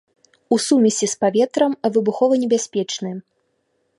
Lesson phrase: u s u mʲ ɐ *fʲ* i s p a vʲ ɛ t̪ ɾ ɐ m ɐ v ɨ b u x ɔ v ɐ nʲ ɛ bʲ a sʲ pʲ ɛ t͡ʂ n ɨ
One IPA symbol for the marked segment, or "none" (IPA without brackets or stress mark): sʲ